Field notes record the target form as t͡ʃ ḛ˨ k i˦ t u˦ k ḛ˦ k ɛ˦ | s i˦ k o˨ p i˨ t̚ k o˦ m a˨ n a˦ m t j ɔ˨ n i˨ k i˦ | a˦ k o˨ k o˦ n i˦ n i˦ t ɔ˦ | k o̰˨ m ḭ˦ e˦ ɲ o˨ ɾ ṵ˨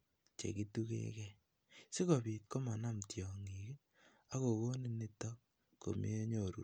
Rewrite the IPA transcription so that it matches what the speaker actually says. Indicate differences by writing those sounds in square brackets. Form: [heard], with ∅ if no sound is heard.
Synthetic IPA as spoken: t͡ʃ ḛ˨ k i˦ t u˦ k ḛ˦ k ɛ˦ | s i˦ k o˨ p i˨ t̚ k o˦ m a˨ n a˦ m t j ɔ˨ [ŋ] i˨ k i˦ | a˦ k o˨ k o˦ n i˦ n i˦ t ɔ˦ | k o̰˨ m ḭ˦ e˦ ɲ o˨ ɾ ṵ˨